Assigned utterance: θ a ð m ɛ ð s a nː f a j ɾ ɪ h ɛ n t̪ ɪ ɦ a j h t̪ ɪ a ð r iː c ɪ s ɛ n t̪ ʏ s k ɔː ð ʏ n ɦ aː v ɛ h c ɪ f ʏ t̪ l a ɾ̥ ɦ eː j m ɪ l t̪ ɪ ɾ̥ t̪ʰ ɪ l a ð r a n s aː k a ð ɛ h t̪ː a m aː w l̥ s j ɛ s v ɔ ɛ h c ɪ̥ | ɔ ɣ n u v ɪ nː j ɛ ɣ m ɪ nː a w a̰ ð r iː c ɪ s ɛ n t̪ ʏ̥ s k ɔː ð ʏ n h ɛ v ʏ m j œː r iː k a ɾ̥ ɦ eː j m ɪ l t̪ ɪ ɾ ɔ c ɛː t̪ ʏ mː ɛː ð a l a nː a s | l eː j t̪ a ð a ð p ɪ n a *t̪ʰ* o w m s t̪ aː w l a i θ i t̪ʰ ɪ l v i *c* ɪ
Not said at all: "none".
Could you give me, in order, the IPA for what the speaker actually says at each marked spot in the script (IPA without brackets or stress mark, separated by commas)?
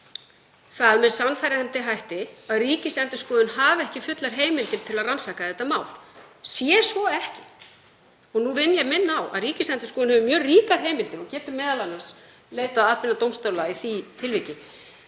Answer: t̪, c